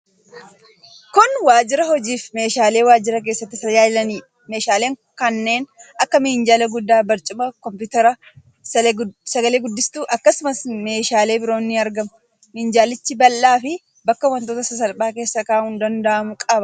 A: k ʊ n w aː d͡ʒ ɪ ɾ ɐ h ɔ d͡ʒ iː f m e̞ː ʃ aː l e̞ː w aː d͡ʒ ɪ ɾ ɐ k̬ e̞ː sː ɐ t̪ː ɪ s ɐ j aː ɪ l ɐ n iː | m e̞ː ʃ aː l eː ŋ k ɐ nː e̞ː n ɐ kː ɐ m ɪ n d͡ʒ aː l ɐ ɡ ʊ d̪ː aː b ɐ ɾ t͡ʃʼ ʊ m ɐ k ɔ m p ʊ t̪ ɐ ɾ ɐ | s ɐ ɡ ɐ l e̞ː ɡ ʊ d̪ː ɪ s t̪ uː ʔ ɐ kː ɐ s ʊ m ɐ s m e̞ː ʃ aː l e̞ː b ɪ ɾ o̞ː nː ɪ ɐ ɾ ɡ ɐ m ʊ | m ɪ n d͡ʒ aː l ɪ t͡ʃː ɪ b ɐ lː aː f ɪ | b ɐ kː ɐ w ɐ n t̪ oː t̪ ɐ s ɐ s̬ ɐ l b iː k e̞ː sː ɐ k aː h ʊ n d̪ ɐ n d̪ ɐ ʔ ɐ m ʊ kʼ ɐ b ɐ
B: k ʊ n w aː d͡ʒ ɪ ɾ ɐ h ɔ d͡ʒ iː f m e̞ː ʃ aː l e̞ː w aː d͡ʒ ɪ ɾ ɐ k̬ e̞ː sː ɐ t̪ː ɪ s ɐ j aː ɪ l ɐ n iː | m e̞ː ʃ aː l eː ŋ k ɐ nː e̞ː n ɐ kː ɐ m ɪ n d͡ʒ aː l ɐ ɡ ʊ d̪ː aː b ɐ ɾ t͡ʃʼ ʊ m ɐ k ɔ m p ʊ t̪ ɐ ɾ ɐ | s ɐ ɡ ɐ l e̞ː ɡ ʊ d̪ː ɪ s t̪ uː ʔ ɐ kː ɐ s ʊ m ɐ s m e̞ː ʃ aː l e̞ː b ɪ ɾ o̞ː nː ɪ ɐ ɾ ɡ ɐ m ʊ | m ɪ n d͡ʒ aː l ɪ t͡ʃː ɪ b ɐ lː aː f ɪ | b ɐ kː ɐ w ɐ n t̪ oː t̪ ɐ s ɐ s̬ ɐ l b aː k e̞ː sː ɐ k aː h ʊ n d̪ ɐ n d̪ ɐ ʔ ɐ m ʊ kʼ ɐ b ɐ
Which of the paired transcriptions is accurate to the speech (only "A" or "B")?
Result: B